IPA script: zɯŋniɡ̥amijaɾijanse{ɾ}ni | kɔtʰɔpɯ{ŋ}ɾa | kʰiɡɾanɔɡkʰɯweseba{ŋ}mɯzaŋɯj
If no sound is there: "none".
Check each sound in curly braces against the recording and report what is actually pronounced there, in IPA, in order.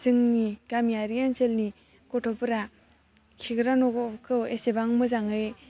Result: l, none, ŋ

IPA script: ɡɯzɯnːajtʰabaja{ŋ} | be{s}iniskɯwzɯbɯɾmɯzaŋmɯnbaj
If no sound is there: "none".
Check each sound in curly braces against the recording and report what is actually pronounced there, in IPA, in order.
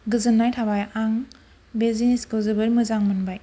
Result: ŋ, z

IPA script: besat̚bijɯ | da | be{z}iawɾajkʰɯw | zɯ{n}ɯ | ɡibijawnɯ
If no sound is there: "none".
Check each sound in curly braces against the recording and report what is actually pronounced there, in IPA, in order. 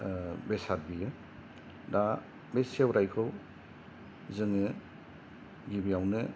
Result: s, ŋ

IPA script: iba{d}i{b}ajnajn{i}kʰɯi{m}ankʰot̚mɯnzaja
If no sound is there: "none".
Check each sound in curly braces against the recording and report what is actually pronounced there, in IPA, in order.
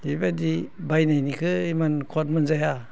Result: d, b, i, m

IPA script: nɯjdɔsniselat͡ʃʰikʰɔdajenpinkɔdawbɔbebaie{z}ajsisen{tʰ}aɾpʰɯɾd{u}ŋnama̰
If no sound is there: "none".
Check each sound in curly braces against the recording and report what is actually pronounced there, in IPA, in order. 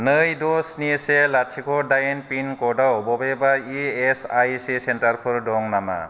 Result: s, t, ɔ

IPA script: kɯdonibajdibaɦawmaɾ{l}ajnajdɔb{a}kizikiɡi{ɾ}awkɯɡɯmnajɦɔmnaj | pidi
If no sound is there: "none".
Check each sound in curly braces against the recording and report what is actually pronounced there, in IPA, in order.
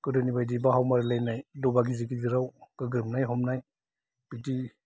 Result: l, a, ɾ

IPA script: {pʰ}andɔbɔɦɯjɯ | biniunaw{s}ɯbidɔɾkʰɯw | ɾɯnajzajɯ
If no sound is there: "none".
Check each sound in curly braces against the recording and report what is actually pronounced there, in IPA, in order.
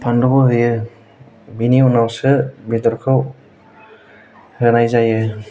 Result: pʰ, s

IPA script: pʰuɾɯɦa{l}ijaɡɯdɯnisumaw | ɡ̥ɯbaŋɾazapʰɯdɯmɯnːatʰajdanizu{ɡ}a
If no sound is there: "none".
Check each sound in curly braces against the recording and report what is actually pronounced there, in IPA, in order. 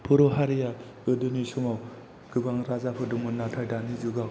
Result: ɾ, ɡ

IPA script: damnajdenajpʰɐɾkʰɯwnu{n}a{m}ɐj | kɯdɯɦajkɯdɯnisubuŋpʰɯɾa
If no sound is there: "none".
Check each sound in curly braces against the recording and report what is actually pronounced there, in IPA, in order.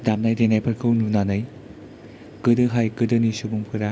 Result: n, n

